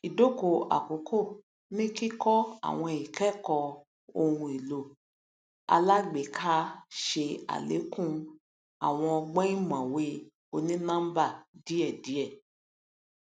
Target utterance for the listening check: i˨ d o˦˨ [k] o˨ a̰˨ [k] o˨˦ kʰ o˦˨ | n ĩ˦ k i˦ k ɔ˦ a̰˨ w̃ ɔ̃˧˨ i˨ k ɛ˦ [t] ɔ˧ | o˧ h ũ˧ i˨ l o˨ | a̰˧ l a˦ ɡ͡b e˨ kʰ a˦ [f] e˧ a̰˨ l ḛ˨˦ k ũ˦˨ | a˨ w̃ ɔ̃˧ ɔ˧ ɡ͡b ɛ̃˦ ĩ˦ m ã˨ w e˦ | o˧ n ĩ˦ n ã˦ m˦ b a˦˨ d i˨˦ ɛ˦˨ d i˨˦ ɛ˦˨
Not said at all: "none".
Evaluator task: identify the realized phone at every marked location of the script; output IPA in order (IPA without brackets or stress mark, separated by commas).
k, k, k, ʃ